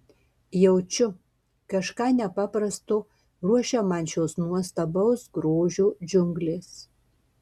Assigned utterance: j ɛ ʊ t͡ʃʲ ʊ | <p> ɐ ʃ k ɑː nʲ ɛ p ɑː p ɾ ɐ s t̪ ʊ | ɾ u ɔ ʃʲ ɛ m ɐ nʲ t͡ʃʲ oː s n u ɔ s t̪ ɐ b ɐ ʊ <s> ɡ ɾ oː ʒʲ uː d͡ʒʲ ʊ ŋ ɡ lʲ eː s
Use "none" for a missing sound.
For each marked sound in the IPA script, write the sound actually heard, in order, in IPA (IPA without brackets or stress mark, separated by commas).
k, s